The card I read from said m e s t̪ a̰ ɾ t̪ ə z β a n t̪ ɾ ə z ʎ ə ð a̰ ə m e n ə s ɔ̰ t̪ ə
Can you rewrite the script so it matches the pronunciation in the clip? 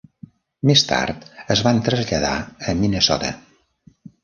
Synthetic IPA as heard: m e s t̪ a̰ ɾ t̪ ə z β a n t̪ ɾ ə z ʎ ə ð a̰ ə m i n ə s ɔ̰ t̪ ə